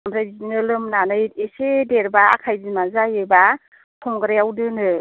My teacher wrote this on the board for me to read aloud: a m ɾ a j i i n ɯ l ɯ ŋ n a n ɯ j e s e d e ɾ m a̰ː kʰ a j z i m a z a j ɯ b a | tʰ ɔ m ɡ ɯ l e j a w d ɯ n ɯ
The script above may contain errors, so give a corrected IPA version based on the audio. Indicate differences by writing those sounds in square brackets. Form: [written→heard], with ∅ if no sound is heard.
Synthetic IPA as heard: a m ɾ a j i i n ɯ l ɯ [ŋ→m] n a n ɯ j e s e d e ɾ [m→b] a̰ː kʰ a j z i m a z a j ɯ b a | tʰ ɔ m ɡ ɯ [l→ɾ] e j a w d ɯ n ɯ